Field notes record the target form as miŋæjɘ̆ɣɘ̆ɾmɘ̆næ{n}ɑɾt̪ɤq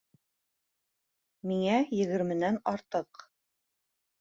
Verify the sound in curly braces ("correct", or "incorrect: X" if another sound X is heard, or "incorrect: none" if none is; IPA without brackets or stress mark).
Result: correct